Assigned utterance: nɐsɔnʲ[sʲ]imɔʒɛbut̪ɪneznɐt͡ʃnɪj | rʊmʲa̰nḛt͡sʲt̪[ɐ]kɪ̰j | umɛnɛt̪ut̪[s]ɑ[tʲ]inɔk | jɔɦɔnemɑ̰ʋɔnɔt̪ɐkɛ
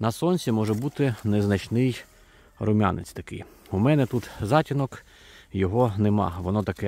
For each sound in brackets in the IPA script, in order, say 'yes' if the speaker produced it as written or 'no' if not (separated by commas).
yes, yes, no, yes